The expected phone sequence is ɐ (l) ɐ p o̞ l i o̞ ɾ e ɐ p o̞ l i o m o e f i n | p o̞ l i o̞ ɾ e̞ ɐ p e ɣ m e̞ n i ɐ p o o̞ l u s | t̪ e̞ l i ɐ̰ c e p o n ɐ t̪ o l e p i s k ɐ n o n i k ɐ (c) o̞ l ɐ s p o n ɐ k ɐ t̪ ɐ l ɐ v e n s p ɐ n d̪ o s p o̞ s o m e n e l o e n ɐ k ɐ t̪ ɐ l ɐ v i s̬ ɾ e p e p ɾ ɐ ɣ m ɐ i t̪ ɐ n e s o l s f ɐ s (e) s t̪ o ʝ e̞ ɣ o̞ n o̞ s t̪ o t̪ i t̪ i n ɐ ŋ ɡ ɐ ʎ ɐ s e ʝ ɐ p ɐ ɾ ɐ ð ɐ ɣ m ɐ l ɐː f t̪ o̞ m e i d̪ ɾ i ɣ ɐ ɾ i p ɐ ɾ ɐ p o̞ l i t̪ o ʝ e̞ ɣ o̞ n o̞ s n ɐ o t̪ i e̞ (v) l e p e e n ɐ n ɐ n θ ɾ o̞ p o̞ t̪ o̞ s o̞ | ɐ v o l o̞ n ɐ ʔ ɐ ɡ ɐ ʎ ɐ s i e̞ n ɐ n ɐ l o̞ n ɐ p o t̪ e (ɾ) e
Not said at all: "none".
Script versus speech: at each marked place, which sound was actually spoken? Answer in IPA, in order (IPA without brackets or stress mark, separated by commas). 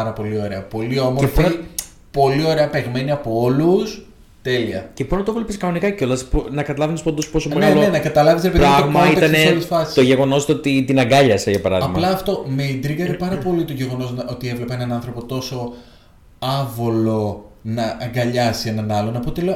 ɾ, c, i, v, l